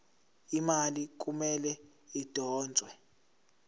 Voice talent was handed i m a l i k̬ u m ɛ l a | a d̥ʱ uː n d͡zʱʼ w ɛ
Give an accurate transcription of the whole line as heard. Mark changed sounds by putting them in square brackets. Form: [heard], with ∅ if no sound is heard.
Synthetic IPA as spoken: i m a l i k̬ u m ɛ l [ɛ] | [i] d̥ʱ [ɔː] n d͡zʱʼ w ɛ